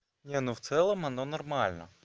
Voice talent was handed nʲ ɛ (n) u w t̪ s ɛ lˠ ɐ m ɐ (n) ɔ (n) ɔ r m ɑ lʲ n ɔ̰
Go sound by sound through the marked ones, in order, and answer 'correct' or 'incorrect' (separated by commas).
correct, correct, correct